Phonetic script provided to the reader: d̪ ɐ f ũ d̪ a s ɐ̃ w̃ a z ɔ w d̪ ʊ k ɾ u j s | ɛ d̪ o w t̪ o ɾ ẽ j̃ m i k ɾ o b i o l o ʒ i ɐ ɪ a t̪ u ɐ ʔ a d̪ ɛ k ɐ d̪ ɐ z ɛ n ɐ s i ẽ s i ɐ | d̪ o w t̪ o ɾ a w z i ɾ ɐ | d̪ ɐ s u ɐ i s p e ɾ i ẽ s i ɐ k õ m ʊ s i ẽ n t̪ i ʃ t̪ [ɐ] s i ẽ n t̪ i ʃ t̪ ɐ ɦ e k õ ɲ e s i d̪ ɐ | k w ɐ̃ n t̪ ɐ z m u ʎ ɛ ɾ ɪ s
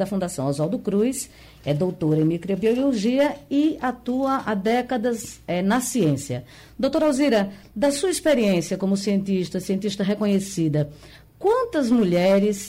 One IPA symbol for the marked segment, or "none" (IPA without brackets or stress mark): ɐ